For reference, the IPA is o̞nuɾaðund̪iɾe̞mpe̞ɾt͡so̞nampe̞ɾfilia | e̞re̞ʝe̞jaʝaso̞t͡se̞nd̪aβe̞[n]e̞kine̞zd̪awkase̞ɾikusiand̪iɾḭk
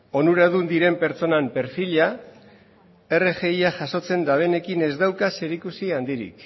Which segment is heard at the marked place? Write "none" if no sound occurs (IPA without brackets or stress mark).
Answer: n